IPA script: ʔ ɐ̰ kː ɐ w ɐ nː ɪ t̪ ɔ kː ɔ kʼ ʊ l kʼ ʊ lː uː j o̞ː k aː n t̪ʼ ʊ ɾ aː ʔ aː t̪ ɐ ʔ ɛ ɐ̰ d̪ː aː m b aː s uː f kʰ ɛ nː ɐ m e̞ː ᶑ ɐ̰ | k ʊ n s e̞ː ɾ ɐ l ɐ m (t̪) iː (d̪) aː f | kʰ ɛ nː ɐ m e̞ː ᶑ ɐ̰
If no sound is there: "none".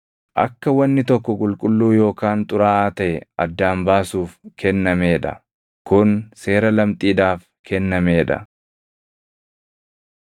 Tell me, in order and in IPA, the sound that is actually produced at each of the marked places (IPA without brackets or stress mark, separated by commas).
t̪ʼ, d̪